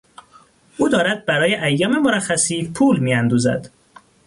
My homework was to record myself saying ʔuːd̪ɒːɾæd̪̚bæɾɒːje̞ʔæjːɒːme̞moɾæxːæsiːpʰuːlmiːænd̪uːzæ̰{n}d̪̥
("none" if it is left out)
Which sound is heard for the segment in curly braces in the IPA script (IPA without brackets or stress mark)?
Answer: none